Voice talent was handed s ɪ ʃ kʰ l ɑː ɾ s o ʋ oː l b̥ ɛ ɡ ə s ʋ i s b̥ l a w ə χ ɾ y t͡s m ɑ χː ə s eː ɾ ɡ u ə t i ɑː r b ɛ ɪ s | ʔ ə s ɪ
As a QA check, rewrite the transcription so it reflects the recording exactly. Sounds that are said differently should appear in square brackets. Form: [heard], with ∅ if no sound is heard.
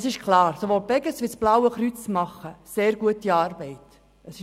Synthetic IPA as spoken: s ɪ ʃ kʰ l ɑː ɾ s o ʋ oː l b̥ ɛ ɡ ə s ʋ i s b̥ l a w ə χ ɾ y t͡s m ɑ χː ə s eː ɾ ɡ u ə t i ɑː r b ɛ ɪ [t] | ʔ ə s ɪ